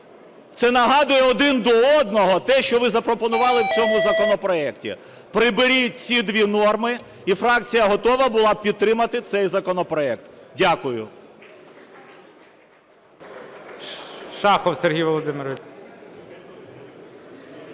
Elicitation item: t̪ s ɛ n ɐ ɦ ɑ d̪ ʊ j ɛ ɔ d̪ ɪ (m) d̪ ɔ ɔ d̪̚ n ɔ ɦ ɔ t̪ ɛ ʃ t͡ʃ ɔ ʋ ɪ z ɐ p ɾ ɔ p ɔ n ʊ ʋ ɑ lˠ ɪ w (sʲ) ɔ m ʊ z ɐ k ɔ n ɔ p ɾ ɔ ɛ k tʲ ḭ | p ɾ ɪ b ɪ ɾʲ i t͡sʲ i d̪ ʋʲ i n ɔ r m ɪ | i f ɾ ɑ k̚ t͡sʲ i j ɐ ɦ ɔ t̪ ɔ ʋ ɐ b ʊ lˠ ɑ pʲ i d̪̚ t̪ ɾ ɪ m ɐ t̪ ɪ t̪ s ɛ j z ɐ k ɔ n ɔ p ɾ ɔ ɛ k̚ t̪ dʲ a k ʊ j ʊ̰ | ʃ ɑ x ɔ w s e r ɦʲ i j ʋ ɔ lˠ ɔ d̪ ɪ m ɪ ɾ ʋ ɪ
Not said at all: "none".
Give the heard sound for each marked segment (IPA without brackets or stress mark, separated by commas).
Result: n, t͡sʲ